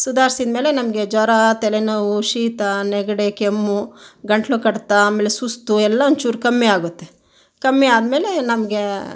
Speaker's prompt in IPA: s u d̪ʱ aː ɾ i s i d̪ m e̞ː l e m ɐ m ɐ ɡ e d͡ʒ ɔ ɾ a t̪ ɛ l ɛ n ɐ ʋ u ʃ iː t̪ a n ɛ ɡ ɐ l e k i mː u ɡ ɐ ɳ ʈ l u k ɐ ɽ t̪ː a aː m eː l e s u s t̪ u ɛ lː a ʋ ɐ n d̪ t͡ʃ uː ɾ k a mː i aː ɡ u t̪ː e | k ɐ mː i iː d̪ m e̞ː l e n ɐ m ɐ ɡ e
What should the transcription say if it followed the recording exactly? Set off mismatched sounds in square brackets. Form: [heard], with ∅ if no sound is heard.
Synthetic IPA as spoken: s u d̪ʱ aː ɾ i s i d̪ m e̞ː l e [n] ɐ m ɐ ɡ e d͡ʒ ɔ ɾ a t̪ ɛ l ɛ n ɐ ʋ u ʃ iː t̪ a n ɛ ɡ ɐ [ɽ] e k [e] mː u ɡ ɐ ɳ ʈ l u k ɐ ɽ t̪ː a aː m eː l e s u s t̪ u ɛ lː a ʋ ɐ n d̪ t͡ʃ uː ɾ k [ɐ] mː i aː ɡ u t̪ː e | k ɐ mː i [aː] d̪ m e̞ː l e n ɐ m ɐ ɡ e